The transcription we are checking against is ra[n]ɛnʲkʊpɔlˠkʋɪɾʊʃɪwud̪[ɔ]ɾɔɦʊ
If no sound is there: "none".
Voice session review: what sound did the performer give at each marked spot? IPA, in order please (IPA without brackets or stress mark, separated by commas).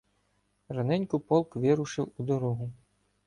n, ɔ